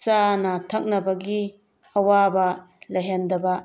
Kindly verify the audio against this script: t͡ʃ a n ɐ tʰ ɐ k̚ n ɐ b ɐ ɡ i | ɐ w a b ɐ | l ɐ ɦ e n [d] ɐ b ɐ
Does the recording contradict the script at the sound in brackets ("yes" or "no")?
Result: no